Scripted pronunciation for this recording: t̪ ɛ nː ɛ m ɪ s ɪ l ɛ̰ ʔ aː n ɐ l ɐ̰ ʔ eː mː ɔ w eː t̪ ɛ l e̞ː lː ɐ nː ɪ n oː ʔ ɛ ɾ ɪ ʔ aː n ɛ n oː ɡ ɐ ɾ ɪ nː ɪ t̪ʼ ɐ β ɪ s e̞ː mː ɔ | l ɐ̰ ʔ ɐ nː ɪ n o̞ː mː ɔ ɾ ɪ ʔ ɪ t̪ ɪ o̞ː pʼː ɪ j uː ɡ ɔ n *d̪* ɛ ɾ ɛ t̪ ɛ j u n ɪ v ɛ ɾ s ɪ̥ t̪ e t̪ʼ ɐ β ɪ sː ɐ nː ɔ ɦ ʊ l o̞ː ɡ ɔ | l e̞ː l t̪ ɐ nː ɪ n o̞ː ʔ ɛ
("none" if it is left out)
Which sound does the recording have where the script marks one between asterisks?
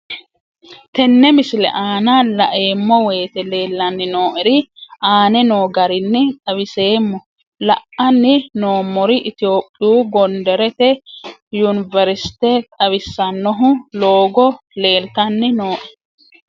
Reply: d̪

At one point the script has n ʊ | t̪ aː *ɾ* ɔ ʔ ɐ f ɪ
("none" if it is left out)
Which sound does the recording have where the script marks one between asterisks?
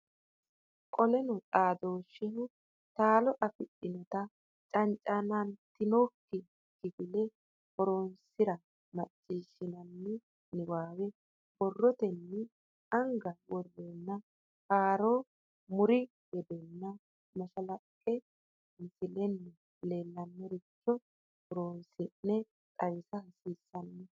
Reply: l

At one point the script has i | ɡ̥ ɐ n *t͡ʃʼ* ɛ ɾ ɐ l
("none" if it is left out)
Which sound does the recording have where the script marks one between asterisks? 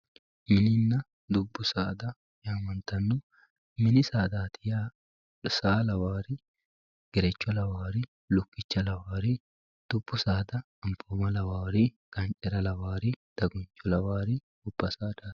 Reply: t͡ʃʼ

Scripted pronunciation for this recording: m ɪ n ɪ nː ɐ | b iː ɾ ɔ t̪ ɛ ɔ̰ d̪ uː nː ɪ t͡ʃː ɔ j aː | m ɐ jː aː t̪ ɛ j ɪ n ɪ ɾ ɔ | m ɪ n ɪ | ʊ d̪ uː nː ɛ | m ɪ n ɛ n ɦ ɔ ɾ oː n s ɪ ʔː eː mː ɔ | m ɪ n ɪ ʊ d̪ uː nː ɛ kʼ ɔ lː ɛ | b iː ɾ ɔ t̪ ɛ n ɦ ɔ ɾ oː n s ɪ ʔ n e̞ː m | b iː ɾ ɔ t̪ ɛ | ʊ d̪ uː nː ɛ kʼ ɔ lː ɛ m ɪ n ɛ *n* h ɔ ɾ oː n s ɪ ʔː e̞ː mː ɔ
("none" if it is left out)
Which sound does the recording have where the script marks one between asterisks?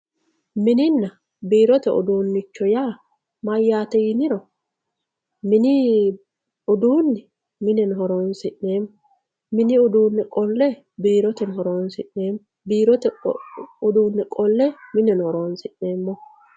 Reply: n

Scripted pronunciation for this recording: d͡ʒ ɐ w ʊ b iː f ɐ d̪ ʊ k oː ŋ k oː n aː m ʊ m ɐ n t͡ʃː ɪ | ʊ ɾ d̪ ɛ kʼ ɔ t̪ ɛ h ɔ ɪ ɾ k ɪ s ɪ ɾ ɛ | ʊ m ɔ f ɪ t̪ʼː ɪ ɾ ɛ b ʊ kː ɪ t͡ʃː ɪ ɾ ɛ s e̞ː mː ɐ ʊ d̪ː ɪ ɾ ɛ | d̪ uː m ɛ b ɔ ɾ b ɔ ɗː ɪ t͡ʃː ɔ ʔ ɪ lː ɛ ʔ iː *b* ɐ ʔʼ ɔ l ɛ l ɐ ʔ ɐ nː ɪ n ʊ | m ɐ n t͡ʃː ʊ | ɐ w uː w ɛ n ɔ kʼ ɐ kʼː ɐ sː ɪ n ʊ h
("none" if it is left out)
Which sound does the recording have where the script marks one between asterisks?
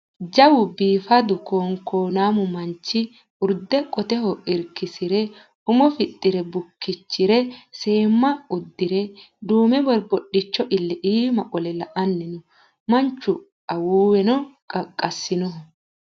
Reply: m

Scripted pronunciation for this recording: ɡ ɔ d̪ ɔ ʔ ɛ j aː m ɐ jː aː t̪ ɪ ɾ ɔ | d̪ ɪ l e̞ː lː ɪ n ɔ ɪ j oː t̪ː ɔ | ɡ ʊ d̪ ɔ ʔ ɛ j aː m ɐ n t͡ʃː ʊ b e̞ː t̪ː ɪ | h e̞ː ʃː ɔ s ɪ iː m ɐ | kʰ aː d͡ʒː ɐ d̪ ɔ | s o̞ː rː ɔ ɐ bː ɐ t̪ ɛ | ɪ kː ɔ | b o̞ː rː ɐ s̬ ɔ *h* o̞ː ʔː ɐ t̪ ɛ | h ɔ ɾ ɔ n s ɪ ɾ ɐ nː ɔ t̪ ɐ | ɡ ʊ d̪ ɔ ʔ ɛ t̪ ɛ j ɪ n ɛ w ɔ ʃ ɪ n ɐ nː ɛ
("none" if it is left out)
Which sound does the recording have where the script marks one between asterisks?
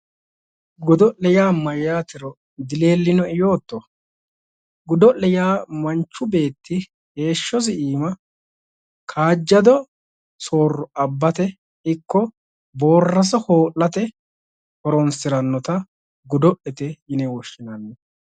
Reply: h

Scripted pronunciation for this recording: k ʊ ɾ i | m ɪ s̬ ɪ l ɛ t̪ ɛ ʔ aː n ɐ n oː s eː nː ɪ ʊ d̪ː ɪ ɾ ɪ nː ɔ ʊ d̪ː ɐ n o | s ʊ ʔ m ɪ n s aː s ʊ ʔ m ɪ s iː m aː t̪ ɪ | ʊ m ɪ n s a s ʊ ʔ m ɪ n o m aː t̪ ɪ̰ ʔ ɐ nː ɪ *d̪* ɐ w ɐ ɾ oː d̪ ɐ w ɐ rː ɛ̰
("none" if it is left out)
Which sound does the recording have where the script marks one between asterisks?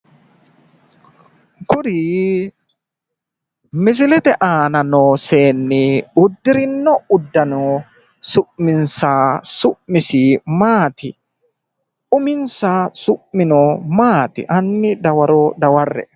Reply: d̪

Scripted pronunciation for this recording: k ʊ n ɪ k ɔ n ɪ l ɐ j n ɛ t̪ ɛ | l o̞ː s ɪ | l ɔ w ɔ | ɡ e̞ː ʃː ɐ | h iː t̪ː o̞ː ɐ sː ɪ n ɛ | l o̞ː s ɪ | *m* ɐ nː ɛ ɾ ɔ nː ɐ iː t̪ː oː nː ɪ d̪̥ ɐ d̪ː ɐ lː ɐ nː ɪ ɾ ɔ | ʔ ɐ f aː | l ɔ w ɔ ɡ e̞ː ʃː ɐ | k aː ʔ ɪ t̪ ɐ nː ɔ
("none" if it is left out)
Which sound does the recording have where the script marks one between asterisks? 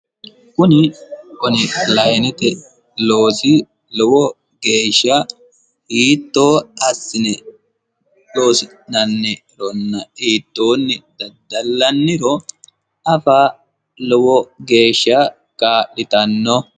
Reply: n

